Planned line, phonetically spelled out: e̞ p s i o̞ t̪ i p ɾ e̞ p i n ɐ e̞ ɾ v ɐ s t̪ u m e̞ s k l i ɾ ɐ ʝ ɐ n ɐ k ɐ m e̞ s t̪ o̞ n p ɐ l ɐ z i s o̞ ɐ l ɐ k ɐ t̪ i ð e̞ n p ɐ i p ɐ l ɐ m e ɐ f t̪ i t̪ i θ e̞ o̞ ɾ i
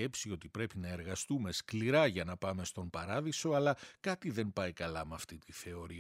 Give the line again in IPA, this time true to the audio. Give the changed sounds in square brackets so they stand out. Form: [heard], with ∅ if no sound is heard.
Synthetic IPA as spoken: e̞ p s i o̞ t̪ i p ɾ e̞ p i n ɐ e̞ ɾ [ɣ] ɐ s t̪ u m e̞ s k l i ɾ ɐ ʝ ɐ n ɐ [p] ɐ m e̞ s t̪ o̞ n p ɐ [ɾ] ɐ [ð] i s o̞ ɐ l ɐ k ɐ t̪ i ð e̞ n p ɐ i [k] ɐ l ɐ m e ɐ f t̪ i t̪ i θ e̞ o̞ ɾ i